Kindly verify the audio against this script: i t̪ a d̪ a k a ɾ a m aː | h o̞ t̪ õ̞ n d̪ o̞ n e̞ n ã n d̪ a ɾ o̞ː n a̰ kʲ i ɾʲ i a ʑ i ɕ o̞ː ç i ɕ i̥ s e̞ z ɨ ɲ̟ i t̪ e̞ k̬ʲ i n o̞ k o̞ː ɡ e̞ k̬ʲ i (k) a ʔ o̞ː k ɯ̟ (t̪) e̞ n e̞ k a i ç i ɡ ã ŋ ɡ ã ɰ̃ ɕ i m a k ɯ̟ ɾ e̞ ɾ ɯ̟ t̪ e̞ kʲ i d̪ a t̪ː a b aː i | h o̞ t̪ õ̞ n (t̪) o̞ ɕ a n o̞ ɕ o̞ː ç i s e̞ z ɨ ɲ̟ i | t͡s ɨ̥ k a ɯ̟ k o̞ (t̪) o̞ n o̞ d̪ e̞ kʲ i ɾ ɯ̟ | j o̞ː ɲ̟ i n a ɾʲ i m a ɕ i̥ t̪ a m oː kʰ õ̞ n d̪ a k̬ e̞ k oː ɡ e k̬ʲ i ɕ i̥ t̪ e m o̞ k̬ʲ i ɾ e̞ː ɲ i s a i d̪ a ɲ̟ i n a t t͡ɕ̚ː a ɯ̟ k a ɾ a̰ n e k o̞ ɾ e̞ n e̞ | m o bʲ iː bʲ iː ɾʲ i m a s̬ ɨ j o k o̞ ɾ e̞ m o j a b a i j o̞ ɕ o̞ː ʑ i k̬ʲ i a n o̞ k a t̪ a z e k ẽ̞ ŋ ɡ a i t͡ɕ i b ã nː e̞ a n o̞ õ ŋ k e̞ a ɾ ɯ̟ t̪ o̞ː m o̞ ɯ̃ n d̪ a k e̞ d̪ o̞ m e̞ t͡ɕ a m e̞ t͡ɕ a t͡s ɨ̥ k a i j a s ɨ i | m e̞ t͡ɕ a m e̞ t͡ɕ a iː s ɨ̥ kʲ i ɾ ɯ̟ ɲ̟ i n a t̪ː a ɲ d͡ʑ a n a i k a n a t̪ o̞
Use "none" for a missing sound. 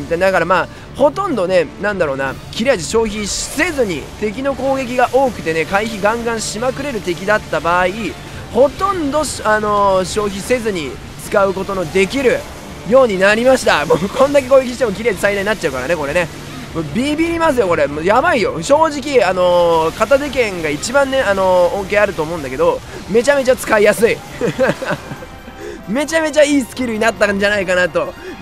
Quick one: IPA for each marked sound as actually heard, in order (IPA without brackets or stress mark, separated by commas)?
ɡ, t̪, d̪, t̪